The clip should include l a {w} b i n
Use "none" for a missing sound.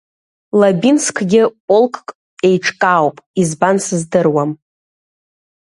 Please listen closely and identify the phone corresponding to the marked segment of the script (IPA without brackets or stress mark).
none